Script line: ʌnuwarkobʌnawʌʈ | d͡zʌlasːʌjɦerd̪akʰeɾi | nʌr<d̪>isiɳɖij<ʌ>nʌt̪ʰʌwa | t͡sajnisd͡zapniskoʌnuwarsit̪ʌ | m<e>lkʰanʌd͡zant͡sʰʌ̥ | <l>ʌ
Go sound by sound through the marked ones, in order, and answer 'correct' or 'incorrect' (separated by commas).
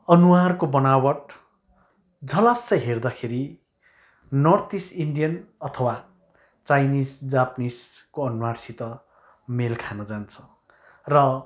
incorrect, correct, correct, incorrect